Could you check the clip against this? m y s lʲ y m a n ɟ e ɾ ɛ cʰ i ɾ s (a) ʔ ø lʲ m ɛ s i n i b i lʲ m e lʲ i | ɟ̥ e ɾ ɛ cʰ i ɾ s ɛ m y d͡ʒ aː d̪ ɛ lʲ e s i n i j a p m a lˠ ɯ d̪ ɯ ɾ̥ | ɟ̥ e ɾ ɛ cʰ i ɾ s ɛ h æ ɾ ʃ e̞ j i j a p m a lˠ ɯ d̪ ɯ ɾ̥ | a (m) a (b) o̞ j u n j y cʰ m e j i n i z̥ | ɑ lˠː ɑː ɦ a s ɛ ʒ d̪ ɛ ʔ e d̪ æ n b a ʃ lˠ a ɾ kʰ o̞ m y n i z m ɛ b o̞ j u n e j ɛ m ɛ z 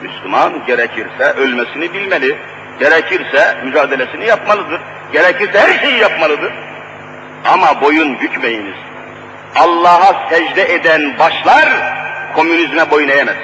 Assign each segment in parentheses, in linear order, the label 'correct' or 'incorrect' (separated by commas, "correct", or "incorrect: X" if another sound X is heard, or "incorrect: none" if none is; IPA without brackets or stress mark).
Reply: incorrect: ɛ, correct, correct